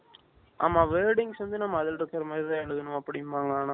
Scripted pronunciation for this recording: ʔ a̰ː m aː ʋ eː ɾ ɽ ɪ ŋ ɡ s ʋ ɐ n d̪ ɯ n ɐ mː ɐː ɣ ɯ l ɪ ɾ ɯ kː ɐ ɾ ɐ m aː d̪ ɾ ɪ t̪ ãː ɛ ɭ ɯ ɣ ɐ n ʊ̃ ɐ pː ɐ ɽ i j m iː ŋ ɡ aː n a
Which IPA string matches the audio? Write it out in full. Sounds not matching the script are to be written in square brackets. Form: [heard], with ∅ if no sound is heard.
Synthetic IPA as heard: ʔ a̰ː m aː ʋ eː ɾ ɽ ɪ ŋ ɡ s ʋ ɐ n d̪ ɯ n ɐ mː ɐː [ð] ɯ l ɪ ɾ ɯ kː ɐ ɾ ɐ m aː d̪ ɾ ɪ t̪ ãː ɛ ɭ ɯ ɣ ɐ n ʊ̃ ɐ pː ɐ ɽ [ɪ] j m [aː] ŋ ɡ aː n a